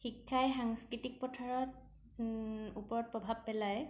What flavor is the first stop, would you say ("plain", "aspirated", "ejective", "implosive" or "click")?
aspirated